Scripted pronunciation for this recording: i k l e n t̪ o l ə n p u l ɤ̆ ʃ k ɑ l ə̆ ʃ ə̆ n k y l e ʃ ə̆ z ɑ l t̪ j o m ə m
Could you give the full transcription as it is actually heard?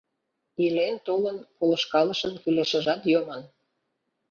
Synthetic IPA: i l e n t̪ o l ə n p o l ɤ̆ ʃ k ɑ l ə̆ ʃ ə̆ n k y l e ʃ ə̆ ʒ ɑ t̪ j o m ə n